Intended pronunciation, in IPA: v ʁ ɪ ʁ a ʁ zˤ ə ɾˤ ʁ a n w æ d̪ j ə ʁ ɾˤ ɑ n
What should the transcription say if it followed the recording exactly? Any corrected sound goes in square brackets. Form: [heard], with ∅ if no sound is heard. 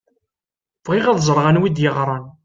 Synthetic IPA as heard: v ʁ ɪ ʁ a [ð] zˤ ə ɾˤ ʁ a n w [i] d̪ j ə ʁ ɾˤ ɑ n